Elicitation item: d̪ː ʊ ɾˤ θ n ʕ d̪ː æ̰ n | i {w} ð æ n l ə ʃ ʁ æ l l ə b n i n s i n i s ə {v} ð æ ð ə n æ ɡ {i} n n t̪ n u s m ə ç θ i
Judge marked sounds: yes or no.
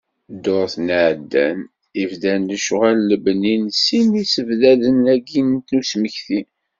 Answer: no, yes, yes

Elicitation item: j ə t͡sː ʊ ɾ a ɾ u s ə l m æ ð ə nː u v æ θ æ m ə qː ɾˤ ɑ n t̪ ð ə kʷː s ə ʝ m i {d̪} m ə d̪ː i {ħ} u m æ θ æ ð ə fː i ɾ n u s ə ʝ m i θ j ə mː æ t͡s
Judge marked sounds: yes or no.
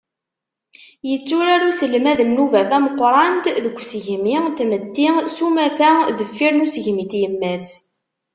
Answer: no, no

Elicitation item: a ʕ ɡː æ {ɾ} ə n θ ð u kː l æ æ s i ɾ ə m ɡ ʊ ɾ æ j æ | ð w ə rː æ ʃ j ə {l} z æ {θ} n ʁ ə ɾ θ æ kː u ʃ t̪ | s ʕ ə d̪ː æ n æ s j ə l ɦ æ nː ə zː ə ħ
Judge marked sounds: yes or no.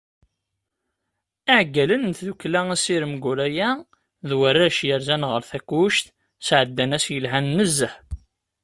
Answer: no, no, no

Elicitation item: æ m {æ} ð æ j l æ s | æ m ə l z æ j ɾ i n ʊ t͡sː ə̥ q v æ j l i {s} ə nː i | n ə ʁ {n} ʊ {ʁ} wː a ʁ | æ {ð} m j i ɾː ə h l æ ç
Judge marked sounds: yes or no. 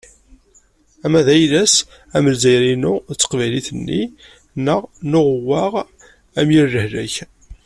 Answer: yes, no, yes, yes, no

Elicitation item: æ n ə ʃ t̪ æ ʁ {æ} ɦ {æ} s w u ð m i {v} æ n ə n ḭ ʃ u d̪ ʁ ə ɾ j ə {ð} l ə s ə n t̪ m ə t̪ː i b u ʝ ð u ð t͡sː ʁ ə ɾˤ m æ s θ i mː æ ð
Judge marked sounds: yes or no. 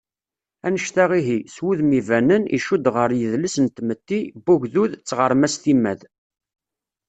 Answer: no, no, yes, yes

